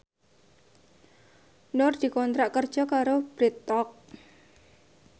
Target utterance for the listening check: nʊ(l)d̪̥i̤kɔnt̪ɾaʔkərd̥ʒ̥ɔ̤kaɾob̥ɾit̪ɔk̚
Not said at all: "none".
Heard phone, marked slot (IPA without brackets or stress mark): r